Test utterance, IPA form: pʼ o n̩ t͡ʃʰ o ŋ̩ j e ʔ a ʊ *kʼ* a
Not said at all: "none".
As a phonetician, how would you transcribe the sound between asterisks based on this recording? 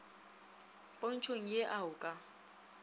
kʼ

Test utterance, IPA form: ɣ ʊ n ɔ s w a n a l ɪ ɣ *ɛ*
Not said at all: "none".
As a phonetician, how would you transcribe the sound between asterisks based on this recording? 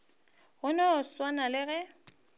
ɛ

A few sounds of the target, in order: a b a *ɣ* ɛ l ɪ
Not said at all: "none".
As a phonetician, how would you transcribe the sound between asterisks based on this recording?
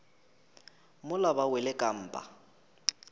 w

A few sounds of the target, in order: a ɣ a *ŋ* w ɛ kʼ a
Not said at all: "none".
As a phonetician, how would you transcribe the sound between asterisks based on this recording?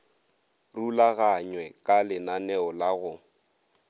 ɲ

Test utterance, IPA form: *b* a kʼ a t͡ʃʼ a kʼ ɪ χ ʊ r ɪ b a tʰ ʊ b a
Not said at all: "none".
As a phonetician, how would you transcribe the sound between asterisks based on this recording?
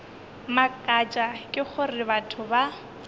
m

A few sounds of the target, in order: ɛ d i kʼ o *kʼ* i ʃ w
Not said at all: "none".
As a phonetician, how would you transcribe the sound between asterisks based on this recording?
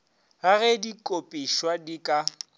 pʼ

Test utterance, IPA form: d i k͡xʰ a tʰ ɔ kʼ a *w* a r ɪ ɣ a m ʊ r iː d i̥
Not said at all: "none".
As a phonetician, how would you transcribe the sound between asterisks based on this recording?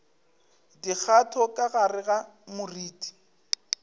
ɣ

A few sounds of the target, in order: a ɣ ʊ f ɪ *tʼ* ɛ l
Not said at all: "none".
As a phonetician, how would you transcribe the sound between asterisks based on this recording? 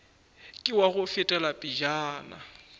tʼ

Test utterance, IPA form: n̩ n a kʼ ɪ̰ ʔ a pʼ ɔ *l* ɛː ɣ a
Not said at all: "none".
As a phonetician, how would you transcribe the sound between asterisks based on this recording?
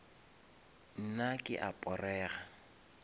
r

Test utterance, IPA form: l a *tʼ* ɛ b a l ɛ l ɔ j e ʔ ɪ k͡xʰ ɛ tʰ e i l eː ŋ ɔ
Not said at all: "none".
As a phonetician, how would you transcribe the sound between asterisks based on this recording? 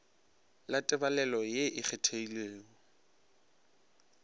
tʼ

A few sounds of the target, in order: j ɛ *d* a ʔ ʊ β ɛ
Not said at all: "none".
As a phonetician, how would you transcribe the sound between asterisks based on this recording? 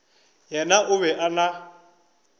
n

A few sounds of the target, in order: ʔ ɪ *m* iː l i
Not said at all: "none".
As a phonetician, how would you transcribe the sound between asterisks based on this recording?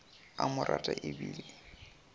b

